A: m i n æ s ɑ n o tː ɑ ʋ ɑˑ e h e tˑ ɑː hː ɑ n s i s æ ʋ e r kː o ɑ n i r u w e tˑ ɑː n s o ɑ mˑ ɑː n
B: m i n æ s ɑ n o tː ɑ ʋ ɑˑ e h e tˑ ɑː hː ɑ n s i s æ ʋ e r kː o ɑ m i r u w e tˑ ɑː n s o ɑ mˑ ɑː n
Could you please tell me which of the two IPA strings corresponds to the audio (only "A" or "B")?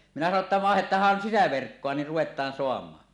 A